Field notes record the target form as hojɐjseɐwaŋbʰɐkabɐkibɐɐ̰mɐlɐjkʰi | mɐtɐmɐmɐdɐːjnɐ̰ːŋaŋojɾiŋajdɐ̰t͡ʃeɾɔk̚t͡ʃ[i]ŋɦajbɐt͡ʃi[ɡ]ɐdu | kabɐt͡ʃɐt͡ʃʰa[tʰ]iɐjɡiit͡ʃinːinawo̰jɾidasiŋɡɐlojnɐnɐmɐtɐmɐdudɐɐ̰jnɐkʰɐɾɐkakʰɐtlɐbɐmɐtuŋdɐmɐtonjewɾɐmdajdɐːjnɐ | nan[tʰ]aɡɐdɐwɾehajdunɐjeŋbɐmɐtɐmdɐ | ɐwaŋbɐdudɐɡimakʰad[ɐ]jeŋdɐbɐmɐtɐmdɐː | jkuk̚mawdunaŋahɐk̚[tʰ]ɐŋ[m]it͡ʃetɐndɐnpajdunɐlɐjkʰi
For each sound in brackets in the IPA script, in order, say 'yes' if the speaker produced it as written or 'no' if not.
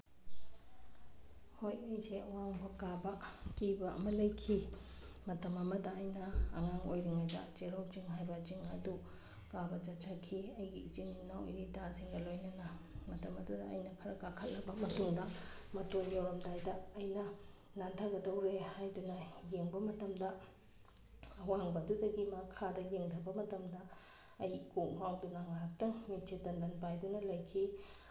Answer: yes, no, no, yes, yes, no, yes

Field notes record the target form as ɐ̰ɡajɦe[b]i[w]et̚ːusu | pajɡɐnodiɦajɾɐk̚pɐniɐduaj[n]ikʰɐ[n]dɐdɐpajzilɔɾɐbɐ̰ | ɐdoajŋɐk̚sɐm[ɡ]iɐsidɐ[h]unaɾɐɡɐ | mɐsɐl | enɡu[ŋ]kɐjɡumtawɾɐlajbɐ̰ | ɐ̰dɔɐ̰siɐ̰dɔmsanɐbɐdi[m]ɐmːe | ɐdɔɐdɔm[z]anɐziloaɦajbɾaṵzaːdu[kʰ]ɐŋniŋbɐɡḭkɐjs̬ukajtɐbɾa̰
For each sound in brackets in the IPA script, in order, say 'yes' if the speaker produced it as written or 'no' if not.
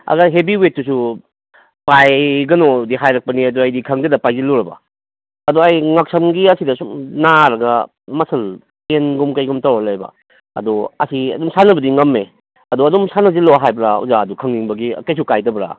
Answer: yes, yes, no, no, yes, no, no, no, no, yes

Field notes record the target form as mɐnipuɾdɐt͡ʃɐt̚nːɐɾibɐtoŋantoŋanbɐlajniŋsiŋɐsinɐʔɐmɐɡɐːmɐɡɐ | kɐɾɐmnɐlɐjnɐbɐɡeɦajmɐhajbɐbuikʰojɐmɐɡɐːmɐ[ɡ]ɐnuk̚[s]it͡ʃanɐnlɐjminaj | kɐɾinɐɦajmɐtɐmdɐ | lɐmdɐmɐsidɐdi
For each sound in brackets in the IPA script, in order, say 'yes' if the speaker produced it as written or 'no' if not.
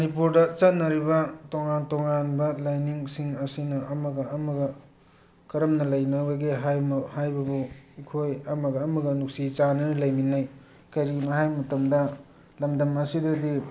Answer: yes, yes

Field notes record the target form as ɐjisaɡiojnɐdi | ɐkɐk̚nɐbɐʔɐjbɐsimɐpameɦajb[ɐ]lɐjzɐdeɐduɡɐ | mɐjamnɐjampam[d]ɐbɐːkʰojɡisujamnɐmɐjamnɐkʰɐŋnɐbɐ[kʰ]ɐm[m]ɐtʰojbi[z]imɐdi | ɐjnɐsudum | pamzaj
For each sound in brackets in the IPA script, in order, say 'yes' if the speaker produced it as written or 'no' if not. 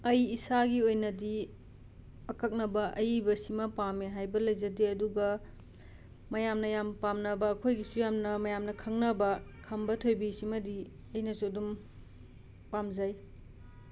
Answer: yes, no, yes, no, no

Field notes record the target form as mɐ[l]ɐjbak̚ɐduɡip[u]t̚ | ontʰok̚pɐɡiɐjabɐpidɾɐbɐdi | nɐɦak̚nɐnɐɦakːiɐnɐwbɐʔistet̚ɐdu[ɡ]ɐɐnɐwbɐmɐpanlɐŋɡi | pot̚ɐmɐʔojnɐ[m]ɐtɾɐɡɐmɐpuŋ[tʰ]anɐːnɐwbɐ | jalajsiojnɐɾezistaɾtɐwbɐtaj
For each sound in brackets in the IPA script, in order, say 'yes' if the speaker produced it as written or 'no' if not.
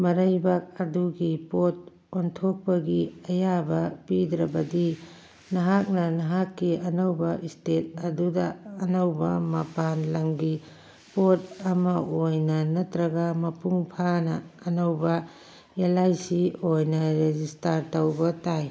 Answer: no, no, no, no, no

